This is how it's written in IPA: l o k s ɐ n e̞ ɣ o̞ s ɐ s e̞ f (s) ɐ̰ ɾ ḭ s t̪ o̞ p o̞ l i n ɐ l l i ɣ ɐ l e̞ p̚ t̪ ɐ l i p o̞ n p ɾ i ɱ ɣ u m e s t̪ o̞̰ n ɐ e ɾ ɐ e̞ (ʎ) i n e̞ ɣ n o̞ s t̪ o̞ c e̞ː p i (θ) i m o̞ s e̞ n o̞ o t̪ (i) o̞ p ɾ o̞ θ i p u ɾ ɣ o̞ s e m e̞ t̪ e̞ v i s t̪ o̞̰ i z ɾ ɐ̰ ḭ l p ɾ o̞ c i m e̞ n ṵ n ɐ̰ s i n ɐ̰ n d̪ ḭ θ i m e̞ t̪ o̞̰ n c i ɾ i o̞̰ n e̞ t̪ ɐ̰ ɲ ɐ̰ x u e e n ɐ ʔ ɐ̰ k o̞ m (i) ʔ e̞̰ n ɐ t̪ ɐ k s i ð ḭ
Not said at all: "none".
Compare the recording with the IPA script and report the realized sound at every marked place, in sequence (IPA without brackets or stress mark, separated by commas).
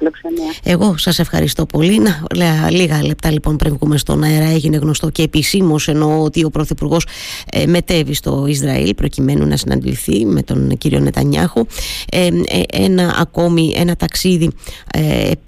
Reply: x, ʝ, s, i, i